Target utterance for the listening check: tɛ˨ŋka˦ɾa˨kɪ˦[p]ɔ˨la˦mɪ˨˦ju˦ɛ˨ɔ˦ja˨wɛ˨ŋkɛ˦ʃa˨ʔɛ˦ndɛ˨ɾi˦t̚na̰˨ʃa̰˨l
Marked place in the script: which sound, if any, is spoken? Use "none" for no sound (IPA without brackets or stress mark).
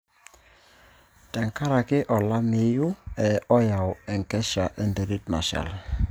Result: ʔ